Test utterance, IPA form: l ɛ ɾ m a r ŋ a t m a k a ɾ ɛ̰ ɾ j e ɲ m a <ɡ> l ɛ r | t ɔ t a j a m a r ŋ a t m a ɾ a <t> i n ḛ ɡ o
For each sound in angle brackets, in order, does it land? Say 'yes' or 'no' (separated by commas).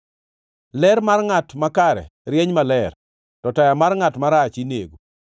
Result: no, no